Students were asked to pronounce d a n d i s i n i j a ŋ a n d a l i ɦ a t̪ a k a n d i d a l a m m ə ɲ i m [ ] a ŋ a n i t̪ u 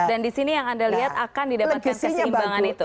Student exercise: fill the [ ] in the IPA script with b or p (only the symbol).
b